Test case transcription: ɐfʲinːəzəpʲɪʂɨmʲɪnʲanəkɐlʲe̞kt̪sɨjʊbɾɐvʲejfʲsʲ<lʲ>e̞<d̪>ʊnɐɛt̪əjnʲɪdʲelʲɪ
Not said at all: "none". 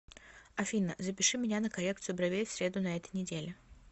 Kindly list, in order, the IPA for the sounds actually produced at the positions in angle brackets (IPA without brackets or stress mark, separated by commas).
ɾʲ, d̪